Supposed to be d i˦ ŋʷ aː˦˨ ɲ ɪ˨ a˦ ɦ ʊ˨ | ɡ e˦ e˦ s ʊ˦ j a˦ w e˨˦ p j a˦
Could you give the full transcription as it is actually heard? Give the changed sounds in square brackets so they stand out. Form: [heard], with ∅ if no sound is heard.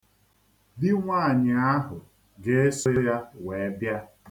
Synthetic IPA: d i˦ ŋʷ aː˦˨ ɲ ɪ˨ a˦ ɦ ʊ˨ | ɡ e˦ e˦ s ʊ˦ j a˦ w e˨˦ [b] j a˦